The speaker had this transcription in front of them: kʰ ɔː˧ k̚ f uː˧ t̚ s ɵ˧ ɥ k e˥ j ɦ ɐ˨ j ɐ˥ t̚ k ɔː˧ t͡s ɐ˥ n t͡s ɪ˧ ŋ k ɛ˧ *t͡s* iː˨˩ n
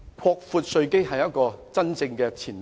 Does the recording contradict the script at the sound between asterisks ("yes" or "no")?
yes